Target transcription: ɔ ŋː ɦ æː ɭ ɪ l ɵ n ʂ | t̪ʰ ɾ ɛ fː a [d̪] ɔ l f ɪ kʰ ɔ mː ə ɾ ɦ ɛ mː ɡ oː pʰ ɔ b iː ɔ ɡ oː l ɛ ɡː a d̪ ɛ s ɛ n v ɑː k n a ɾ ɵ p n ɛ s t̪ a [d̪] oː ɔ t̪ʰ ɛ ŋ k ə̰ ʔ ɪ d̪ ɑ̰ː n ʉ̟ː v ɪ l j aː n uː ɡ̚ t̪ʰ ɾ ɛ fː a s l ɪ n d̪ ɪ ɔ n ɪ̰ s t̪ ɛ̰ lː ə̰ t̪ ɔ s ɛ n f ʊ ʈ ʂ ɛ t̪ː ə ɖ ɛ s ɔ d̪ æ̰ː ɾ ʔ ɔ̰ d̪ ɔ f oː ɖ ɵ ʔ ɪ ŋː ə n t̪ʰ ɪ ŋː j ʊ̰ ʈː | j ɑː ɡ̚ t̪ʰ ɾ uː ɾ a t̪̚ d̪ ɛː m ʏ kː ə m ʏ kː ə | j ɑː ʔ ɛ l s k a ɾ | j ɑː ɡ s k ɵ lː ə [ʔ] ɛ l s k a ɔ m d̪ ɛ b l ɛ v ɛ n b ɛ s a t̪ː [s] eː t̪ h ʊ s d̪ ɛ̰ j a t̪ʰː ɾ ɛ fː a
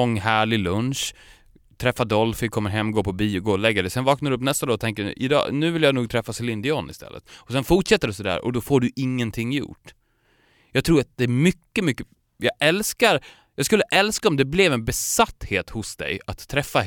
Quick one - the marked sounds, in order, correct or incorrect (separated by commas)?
correct, correct, correct, incorrect